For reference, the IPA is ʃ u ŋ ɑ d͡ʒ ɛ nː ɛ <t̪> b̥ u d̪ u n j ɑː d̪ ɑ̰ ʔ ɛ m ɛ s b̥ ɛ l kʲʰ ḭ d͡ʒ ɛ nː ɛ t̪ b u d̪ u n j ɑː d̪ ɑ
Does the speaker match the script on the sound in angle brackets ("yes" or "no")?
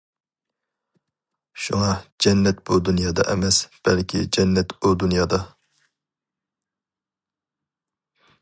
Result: yes